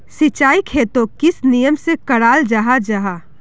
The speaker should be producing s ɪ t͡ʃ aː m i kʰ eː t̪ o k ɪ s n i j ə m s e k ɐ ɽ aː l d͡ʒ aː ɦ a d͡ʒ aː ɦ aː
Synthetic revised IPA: s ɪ t͡ʃ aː i kʰ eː t̪ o k ɪ s n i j ə m s e k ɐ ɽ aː l d͡ʒ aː ɦ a d͡ʒ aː ɦ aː